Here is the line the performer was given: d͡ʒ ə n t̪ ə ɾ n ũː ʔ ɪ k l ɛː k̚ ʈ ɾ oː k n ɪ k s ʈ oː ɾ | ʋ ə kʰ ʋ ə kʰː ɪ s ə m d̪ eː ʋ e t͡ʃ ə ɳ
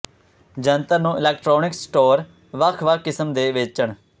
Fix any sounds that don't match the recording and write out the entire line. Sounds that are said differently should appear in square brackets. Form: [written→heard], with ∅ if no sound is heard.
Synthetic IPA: d͡ʒ ə n t̪ ə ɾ n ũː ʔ ɪ [k→∅] l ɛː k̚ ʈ ɾ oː [k→∅] n ɪ k s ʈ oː ɾ | ʋ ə kʰ ʋ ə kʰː ɪ s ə m d̪ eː ʋ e t͡ʃ ə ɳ